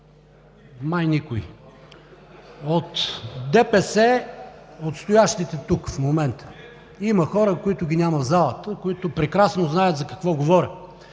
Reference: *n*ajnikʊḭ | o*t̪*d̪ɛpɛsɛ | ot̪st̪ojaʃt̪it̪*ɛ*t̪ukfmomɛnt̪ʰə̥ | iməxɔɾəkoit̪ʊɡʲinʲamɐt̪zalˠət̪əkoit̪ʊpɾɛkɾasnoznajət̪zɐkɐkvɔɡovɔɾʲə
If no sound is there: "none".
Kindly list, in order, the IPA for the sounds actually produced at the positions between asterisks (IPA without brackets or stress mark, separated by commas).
m, t̪, ɛ